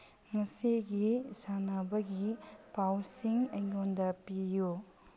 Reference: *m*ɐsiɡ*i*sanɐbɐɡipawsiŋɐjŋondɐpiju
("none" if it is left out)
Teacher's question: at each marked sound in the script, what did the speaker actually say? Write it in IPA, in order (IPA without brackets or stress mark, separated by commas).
ŋ, i